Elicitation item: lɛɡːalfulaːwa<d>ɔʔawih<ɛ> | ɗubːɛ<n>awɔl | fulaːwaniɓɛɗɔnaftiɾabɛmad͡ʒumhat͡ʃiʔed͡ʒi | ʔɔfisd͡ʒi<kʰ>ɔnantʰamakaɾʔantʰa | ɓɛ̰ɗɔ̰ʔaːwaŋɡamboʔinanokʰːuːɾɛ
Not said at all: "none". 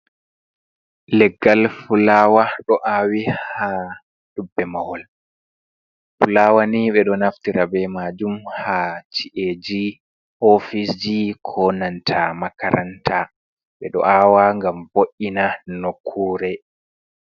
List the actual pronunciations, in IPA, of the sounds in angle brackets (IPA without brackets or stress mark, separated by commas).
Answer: ɗ, a, m, kʰ